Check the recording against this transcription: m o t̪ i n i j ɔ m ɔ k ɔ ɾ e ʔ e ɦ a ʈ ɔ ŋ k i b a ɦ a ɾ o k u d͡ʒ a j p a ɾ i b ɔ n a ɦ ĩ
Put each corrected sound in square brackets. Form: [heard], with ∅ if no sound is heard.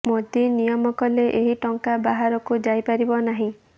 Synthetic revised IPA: m o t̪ i n i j ɔ m ɔ k ɔ [l] e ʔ e ɦ [i] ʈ ɔ ŋ k [a] b a ɦ a ɾ [ɔ] k u d͡ʒ a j p a ɾ i b ɔ n a ɦ ĩ

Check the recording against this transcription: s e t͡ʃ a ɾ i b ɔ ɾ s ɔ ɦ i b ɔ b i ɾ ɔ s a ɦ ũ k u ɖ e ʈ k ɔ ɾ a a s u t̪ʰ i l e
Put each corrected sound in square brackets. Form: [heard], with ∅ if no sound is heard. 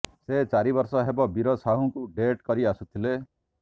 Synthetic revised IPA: s e t͡ʃ a ɾ i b ɔ ɾ s ɔ ɦ [e] b ɔ b i ɾ ɔ s a ɦ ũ k u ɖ e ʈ k ɔ ɾ [i] a s u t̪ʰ i l e

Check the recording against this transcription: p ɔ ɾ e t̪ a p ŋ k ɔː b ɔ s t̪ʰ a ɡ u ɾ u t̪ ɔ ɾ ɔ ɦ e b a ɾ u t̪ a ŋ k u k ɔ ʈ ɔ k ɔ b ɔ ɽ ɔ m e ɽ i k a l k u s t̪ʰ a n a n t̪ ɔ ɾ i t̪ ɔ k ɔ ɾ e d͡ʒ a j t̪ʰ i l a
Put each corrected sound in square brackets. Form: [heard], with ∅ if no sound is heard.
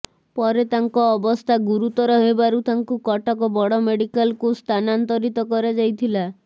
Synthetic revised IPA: p ɔ ɾ e t̪ a [∅] ŋ k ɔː b ɔ s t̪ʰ a ɡ u ɾ u t̪ ɔ ɾ ɔ ɦ e b a ɾ u t̪ a ŋ k u k ɔ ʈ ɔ k ɔ b ɔ ɽ ɔ m e ɽ i k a l k u s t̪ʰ a n a n t̪ ɔ ɾ i t̪ ɔ k ɔ ɾ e d͡ʒ a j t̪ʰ i l a

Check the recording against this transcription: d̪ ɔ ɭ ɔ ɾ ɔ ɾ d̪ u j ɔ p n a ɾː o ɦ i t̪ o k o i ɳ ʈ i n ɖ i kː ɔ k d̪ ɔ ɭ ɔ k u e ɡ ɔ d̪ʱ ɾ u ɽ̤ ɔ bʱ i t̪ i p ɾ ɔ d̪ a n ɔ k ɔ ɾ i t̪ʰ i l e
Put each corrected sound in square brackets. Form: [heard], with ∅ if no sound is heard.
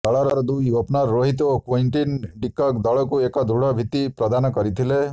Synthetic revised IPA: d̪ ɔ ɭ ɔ ɾ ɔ ɾ d̪ u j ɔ p n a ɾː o ɦ i t̪ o k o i ɳ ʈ i n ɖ i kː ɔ k d̪ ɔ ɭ ɔ k u e [k] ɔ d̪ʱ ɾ u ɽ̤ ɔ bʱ i t̪ i p ɾ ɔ d̪ a n ɔ k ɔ ɾ i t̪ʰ i l e

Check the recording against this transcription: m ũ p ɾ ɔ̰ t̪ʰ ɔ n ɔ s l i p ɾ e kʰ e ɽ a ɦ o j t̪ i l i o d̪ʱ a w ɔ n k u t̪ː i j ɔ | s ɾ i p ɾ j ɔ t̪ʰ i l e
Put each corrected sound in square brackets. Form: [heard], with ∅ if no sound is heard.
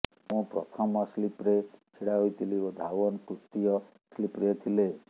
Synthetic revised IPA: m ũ p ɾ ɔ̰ t̪ʰ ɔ [m] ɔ s l i p ɾ e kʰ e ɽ a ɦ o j t̪ i l i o d̪ʱ a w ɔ n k u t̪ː i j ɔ | s [l] i p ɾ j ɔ t̪ʰ i l e

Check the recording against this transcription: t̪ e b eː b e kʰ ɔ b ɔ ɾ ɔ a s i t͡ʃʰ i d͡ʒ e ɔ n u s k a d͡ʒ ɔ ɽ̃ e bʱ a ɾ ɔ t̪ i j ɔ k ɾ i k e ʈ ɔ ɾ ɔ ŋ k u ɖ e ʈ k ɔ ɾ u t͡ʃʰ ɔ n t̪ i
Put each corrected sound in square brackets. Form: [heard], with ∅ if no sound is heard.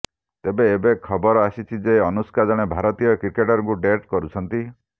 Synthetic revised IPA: t̪ e b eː b e kʰ ɔ b ɔ ɾ ɔ a s i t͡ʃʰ i d͡ʒ e ɔ n u s k a d͡ʒ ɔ ɽ̃ e bʱ a ɾ ɔ t̪ i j ɔ k ɾ i k e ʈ ɔ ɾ ɔ ŋ k u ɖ e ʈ k ɔ ɾ u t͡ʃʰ ɔ n t̪ i

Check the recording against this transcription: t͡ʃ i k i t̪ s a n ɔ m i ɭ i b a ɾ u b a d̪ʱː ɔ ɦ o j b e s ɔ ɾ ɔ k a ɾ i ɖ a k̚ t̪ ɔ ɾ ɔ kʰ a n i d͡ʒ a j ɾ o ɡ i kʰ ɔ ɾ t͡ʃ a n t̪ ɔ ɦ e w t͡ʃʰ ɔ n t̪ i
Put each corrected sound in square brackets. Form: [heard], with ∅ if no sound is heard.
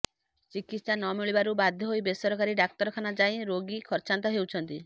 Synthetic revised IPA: t͡ʃ i k i t̪ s a n ɔ m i ɭ i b a ɾ u b a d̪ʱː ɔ ɦ o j b e s ɔ ɾ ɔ k a ɾ i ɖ a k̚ t̪ ɔ ɾ ɔ kʰ a n [a] d͡ʒ a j ɾ o ɡ i kʰ ɔ ɾ t͡ʃ a n t̪ ɔ ɦ e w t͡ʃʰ ɔ n t̪ i

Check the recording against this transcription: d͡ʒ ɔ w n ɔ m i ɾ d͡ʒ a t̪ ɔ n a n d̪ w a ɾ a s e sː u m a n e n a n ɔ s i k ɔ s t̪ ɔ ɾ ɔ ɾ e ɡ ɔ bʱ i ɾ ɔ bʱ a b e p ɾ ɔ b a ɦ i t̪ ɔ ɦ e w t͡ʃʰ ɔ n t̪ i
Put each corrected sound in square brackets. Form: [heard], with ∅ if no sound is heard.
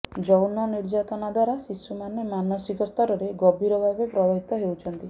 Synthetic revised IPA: d͡ʒ ɔ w n ɔ [n] i ɾ d͡ʒ a t̪ ɔ n a [∅] d̪ w a ɾ a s [i] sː u m a n e [m] a n ɔ s i k ɔ s t̪ ɔ ɾ ɔ ɾ e ɡ ɔ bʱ i ɾ ɔ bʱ a b e p ɾ ɔ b a ɦ i t̪ ɔ ɦ e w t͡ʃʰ ɔ n t̪ i

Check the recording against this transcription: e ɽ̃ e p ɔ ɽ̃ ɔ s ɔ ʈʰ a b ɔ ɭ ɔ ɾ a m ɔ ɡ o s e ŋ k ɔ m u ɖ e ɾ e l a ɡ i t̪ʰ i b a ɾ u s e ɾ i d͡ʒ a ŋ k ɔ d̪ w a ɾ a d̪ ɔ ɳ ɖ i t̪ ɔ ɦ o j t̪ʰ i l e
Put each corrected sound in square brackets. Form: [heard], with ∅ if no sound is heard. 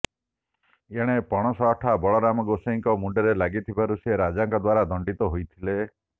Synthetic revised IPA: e ɽ̃ e p ɔ ɽ̃ ɔ s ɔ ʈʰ a b ɔ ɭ ɔ ɾ a m ɔ ɡ o s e ŋ k ɔ m u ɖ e ɾ e l a ɡ i t̪ʰ i b a ɾ u s e ɾ [a] d͡ʒ a ŋ k ɔ d̪ w a ɾ a d̪ ɔ ɳ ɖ i t̪ ɔ ɦ o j t̪ʰ i l e

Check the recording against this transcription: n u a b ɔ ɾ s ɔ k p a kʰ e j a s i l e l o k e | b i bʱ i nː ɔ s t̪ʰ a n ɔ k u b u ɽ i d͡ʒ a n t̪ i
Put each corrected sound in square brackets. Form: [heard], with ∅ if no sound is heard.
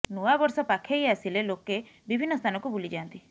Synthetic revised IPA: n u a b ɔ ɾ s ɔ [∅] p a kʰ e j a s i l e l o k e | b i bʱ i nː ɔ s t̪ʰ a n ɔ k u b u [l] i d͡ʒ a n t̪ i

